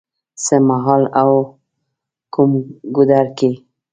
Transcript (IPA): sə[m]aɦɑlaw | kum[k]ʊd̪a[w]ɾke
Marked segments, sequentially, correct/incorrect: correct, incorrect, incorrect

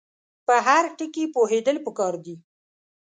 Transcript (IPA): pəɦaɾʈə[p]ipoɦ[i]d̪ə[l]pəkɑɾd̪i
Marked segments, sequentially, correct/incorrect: incorrect, incorrect, correct

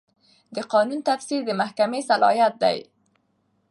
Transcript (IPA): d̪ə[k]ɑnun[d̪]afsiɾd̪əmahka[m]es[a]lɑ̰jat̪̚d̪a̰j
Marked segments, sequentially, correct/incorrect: incorrect, incorrect, correct, correct

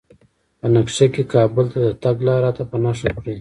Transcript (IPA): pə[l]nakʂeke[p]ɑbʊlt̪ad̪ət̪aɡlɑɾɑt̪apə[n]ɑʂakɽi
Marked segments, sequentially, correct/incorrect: incorrect, incorrect, correct

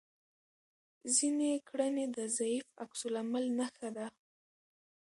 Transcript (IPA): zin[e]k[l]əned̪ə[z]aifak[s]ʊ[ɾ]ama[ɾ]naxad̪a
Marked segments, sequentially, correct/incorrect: correct, incorrect, correct, correct, incorrect, incorrect

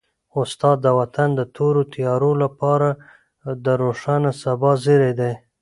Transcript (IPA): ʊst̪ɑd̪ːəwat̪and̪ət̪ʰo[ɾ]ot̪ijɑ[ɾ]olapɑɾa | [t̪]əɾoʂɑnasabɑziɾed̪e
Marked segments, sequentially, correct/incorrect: correct, correct, incorrect

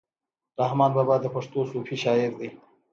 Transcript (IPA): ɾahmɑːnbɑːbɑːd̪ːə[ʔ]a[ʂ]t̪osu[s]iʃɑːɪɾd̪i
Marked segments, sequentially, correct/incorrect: incorrect, correct, incorrect

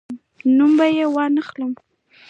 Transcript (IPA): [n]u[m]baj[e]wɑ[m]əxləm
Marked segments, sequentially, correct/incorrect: correct, correct, correct, incorrect

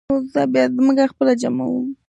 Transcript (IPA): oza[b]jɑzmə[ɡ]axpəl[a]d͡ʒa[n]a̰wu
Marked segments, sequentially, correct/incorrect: correct, correct, correct, incorrect

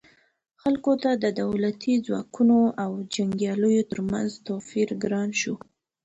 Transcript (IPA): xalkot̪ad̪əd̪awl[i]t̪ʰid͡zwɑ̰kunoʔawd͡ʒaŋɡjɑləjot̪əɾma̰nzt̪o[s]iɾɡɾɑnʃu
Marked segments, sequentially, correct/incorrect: incorrect, incorrect

